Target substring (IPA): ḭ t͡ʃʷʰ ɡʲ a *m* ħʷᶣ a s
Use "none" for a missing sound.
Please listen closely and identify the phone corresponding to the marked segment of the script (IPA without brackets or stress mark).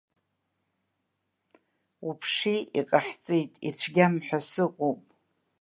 m